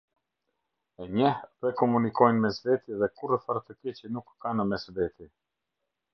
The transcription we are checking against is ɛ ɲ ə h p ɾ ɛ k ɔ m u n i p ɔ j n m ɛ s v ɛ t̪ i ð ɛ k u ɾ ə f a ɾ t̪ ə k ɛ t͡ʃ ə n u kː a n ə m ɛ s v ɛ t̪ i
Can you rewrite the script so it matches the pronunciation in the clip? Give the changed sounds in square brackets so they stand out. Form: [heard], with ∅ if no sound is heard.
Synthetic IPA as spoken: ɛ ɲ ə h p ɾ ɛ k ɔ m u n i [k] ɔ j n m ɛ s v ɛ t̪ i ð ɛ k u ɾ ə f a ɾ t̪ ə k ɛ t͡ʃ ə n u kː a n ə m ɛ s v ɛ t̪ i